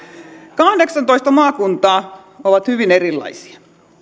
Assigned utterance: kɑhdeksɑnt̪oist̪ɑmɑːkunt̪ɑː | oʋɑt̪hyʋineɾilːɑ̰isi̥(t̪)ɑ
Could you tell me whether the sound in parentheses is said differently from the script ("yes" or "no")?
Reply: yes